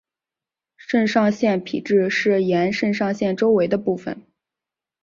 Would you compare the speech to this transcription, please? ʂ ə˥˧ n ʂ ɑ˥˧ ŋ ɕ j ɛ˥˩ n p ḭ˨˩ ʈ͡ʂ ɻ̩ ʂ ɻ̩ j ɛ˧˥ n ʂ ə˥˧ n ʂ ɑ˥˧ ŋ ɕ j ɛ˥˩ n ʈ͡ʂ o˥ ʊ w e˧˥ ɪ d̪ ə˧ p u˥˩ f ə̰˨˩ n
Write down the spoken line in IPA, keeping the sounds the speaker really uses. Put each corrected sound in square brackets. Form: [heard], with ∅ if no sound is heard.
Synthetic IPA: ʂ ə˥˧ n ʂ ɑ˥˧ ŋ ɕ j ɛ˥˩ n [pʰ] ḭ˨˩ ʈ͡ʂ ɻ̩ ʂ ɻ̩ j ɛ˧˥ n ʂ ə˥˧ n ʂ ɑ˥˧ ŋ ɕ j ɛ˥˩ n ʈ͡ʂ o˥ ʊ w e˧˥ ɪ d̪ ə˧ p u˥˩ f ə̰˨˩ n